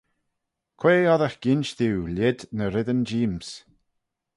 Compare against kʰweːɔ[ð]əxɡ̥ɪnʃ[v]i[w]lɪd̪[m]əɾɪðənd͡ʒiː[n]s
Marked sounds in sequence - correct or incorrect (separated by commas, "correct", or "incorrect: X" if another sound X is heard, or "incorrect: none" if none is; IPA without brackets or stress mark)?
correct, incorrect: ð, correct, incorrect: n, incorrect: m